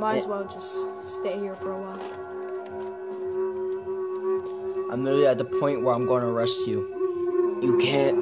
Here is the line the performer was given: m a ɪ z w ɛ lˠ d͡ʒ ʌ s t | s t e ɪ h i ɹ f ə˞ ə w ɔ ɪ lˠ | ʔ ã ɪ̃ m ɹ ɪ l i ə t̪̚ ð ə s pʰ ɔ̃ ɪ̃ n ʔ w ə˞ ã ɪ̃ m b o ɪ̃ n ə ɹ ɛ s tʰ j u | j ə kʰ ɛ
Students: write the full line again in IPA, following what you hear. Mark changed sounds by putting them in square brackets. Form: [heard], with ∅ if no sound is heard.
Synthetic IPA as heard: m a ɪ z w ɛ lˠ d͡ʒ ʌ s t | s t e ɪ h i ɹ f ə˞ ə w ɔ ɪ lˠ | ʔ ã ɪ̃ m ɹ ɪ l i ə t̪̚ ð ə [∅] pʰ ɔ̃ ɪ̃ n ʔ w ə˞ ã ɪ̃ m [ɡ] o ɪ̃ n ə ɹ ɛ s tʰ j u | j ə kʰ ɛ